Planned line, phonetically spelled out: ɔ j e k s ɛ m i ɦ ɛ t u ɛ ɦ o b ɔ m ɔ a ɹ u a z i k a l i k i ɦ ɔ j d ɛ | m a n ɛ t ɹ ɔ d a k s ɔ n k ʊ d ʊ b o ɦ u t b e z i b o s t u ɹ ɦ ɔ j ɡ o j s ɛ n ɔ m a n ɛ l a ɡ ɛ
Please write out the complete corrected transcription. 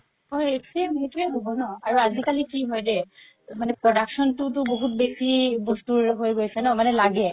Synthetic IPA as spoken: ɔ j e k s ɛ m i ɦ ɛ t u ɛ ɦ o b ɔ n ɔ a ɹ u a z i k a l i k i ɦ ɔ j d ɛ | m a n ɛ p ɹ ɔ d a k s ɔ n t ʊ t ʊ b o ɦ u t b e s i b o s t u ɹ ɦ o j ɡ o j s ɛ n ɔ m a n ɛ l a ɡ ɛ